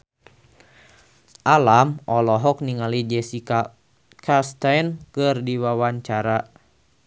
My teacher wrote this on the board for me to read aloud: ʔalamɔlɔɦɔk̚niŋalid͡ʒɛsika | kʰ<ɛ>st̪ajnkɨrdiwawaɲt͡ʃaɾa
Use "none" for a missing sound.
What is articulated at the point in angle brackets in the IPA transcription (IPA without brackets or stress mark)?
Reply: a